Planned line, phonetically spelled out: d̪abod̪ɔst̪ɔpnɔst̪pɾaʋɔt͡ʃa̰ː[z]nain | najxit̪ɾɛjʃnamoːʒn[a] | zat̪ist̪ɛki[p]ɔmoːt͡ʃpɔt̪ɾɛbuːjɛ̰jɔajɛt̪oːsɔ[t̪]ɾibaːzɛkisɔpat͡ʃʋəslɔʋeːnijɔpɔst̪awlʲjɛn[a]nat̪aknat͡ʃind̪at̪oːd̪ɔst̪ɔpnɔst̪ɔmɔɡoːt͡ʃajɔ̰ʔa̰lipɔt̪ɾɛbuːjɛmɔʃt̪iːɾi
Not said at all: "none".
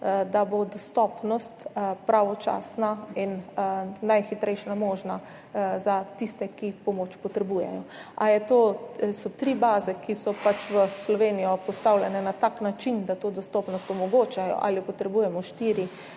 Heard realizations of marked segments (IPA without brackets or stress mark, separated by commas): s, a, p, t̪, ɛ